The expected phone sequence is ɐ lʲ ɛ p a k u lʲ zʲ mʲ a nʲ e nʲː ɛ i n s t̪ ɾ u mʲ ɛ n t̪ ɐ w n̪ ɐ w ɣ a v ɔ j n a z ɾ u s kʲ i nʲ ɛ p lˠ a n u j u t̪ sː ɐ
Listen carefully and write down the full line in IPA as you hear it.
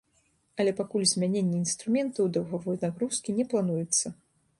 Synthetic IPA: ɐ lʲ ɛ p a k u lʲ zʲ mʲ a nʲ e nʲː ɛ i n s t̪ ɾ u mʲ ɛ n t̪ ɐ w d̪ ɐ w ɣ a v ɔ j n a ɣ ɾ u s kʲ i nʲ ɛ p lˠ a n u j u t̪ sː ɐ